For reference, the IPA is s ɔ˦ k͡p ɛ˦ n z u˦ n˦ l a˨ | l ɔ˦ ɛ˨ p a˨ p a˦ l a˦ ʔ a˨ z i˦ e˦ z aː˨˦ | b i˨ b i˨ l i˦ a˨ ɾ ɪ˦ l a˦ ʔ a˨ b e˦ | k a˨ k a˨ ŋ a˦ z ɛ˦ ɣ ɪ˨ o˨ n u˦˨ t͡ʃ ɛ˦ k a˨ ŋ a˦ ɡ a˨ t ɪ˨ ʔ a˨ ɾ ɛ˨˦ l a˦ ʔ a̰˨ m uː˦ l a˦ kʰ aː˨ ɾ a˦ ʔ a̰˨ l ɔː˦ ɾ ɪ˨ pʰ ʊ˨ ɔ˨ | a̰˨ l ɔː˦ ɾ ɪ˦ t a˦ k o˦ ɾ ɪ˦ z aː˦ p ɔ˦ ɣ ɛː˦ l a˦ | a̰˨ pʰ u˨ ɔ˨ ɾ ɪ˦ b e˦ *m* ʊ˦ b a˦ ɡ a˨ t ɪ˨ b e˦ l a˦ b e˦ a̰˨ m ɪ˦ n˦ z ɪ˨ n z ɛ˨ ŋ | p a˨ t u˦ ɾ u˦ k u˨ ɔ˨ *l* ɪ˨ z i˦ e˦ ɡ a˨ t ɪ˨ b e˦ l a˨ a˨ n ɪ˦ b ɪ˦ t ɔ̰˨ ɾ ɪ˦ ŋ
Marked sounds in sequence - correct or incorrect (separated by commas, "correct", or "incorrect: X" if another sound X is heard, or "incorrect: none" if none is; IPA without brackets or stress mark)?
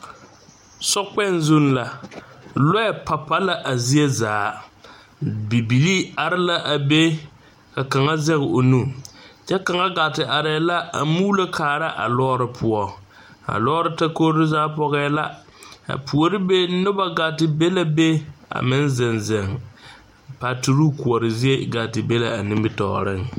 incorrect: n, incorrect: ɾ